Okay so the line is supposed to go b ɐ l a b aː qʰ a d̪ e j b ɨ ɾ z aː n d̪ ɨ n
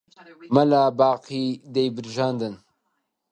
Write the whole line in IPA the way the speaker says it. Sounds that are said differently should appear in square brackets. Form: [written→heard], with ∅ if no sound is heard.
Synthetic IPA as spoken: [b→m] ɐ l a b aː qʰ [a→i] d̪ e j b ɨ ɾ [z→ʒ] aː n d̪ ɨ n